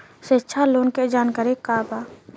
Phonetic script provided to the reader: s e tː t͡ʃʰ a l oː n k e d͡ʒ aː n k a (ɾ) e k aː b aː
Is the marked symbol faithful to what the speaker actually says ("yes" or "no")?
yes